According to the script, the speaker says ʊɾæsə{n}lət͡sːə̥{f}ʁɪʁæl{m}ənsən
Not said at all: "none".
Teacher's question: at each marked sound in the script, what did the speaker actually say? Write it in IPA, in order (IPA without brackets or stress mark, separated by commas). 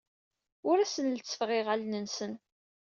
n, f, n